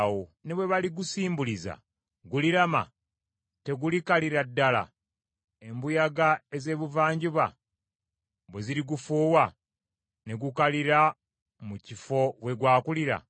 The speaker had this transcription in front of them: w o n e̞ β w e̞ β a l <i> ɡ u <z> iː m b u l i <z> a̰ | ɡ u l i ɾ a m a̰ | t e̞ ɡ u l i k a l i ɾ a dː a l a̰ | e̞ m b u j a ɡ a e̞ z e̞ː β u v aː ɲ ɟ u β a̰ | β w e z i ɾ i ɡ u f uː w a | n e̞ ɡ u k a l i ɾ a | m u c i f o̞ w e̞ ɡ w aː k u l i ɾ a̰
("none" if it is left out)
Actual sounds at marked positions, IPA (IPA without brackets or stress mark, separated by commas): i, s, z